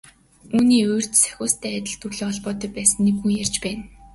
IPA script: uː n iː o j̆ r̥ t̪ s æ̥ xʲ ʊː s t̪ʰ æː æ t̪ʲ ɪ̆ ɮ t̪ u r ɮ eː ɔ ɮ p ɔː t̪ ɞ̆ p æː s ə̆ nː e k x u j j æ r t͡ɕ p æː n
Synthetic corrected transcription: uː n iː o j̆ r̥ t̪ s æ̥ xʲ ʊː s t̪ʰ æː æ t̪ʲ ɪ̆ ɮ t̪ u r ɮ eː ɔ ɮ p ɔː t̪ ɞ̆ p æː s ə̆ nː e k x u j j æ r t͡ɕ p æː n